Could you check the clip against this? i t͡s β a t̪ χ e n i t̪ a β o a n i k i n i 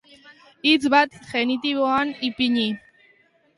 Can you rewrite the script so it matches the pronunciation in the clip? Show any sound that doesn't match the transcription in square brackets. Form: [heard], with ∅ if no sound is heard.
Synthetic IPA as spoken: i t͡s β a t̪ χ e n i t̪ [i] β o a n i [p] i [ɲ] i